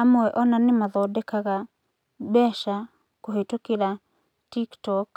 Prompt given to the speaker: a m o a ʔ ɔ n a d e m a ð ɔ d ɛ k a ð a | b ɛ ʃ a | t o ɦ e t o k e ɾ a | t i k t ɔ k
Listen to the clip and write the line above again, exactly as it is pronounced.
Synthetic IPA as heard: a m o ɛ ʔ ɔ n a n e m a ð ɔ d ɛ k a ɣ a | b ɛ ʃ a | k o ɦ e t o k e ɾ a | t i k t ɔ k